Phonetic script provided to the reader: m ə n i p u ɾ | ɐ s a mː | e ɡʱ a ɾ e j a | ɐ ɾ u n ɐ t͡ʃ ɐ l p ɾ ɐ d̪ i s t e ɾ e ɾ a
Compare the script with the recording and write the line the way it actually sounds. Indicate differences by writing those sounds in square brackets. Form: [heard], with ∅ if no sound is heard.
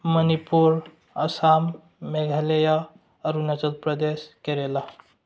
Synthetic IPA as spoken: m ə n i p u ɾ | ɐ s a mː | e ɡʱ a [l] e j a | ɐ ɾ u n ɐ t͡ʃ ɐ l p ɾ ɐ d̪ [e] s [k] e ɾ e [l] a